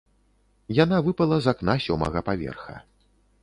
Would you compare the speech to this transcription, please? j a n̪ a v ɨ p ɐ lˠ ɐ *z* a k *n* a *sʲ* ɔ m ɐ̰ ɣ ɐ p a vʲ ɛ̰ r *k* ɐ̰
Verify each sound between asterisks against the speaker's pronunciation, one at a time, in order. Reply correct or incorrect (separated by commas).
correct, correct, correct, incorrect